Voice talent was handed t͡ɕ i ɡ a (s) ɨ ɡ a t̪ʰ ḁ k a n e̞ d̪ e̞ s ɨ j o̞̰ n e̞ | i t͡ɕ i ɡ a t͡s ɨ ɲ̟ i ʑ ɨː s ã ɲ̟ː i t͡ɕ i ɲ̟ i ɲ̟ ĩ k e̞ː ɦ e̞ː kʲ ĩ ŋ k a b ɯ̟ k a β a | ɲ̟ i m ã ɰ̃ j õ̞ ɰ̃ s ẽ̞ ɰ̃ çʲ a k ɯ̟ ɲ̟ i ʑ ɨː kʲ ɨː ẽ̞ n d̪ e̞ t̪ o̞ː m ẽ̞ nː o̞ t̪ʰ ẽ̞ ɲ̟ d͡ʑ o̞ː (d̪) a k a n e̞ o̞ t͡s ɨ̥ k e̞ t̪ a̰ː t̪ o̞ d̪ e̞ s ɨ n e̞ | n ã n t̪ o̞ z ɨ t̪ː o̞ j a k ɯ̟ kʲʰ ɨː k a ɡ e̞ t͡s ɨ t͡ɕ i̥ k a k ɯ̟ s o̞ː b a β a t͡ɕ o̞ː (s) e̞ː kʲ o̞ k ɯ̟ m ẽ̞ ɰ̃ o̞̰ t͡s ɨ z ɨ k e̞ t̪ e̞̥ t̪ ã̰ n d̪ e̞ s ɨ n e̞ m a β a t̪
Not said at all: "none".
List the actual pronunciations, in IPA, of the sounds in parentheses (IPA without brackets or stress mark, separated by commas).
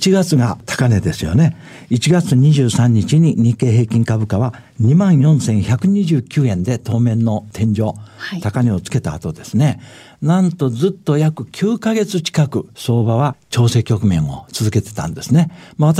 t͡s, t̪, s